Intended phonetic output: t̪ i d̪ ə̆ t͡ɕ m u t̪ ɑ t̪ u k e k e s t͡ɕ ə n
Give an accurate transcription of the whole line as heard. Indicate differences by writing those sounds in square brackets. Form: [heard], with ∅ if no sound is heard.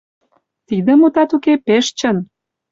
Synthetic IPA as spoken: t̪ i d̪ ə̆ [∅] m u t̪ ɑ t̪ u k e [p] e [ʃ] t͡ɕ ə n